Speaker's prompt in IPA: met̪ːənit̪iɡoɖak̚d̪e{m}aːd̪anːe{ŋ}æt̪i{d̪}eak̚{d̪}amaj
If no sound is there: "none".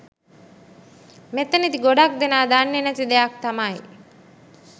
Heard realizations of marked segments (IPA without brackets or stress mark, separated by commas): n, n, d̪, t̪